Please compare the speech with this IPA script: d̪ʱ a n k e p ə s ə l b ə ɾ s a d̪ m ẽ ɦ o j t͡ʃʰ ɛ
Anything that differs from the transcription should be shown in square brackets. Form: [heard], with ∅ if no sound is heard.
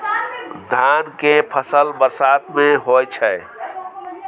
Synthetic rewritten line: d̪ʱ a n k e [pʰ] ə s ə l b ə ɾ s a [t̪] m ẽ ɦ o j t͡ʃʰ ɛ

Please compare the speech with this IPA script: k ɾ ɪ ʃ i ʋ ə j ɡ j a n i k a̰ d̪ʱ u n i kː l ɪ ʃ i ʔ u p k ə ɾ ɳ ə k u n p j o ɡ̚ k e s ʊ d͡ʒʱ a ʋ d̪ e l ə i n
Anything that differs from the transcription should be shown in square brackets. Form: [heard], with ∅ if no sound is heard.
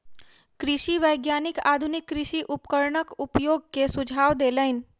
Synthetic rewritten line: k ɾ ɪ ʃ i ʋ ə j ɡ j a n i k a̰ d̪ʱ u n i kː [ɾ] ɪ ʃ i ʔ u p k ə ɾ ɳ ə k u [∅] p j o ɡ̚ k e s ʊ d͡ʒʱ a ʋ d̪ e l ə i n

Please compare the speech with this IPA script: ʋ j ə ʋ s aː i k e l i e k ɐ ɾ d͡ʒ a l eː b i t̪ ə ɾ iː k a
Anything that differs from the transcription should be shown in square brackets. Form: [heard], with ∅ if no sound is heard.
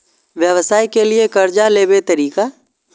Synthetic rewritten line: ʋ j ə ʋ s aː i k e l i e k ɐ ɾ d͡ʒ a l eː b [e] t̪ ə ɾ iː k a

